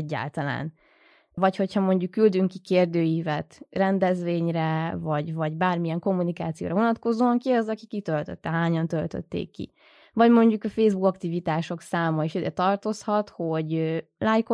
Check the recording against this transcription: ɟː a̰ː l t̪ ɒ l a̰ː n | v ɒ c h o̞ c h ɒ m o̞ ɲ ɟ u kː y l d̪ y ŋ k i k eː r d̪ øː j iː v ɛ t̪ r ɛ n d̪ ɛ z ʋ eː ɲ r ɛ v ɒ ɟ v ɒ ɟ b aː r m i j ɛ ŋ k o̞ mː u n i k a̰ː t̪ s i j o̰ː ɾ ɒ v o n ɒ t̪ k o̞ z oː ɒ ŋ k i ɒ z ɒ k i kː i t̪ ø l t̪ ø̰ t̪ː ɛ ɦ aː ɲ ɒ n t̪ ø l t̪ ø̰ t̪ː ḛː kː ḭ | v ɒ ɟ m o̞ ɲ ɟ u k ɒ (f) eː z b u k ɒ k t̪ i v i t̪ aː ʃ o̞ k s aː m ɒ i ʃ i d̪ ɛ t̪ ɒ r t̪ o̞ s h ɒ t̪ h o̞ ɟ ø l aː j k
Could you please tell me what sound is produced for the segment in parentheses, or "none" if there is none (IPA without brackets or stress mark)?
f